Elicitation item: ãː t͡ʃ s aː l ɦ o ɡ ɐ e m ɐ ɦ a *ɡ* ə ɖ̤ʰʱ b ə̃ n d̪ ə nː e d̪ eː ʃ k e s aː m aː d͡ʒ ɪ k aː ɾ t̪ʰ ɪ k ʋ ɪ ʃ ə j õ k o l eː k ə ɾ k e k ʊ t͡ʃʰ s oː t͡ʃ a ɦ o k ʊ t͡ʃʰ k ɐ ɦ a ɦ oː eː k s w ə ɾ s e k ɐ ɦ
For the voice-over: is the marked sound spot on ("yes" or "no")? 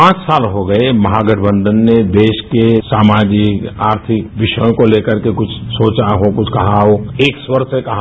yes